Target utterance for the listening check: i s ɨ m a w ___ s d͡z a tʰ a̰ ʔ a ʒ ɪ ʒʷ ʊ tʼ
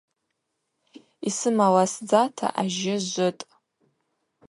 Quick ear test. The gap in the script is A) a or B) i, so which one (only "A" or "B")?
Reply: A